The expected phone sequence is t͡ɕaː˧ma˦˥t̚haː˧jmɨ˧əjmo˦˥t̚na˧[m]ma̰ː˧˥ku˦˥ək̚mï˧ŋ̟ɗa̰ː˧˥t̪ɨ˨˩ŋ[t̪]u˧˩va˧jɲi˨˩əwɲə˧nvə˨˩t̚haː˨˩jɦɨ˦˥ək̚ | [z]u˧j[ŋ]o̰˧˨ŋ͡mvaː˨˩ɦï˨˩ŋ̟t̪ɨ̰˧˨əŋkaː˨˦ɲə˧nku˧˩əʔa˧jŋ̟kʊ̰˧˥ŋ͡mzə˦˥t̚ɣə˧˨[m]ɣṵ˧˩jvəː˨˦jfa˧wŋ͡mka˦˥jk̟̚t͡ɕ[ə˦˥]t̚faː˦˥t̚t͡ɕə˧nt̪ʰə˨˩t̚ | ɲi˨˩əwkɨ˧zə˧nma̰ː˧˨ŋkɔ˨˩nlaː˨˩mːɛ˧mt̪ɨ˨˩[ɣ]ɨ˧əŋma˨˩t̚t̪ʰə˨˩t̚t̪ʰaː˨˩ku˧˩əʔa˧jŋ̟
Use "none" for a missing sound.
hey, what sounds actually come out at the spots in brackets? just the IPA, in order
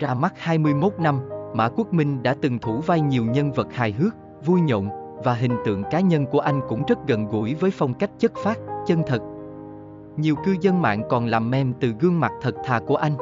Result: m, t̪ʰ, v, ɲ, n, ə˦˥, ɣ

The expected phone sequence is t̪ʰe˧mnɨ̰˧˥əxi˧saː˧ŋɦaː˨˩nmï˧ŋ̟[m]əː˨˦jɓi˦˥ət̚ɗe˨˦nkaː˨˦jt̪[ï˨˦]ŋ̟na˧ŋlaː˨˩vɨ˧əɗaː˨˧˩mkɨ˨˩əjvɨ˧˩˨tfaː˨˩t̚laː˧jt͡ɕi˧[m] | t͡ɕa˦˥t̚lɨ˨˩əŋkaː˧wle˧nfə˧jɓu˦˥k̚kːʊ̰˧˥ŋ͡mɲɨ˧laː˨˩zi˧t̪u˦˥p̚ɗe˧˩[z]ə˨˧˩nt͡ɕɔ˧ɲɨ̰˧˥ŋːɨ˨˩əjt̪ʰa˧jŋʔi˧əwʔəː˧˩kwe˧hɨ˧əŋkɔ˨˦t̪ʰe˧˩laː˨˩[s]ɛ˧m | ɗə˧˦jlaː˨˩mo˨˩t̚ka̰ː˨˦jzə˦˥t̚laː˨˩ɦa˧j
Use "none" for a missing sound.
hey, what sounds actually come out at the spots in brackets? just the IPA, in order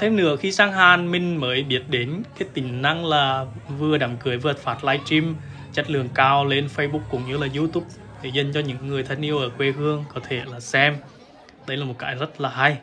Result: m, ï˨˩, m, z, s

